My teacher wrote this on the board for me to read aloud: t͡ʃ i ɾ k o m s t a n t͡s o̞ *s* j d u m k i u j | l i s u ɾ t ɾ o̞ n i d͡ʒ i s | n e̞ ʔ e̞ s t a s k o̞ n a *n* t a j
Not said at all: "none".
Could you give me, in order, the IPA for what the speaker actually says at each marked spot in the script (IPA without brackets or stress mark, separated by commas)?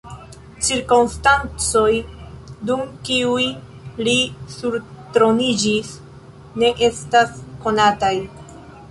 none, none